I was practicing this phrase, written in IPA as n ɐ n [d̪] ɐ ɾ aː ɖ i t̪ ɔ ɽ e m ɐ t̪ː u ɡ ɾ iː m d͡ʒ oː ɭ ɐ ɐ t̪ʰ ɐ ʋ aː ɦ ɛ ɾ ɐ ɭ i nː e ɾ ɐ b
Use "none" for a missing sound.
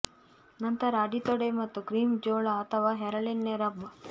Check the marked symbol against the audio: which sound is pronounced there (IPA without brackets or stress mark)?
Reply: t̪